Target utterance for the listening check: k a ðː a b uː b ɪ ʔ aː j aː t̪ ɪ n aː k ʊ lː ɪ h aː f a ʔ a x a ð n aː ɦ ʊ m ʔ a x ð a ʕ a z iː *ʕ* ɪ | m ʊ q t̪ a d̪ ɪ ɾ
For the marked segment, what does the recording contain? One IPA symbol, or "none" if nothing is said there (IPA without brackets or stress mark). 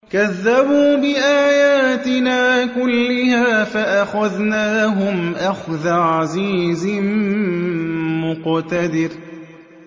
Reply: z